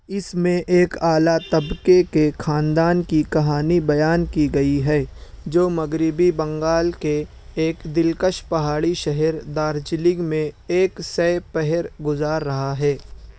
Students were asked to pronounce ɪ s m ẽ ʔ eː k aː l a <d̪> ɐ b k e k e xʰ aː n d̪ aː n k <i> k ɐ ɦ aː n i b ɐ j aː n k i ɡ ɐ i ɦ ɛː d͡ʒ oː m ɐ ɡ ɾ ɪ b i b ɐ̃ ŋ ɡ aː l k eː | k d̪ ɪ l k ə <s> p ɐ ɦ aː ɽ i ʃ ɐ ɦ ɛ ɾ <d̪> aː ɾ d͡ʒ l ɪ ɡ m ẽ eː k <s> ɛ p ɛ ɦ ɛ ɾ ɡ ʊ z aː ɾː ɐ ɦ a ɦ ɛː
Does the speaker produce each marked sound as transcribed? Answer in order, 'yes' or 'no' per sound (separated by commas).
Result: no, yes, no, yes, yes